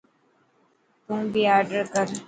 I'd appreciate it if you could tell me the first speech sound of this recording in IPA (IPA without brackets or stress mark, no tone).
t̪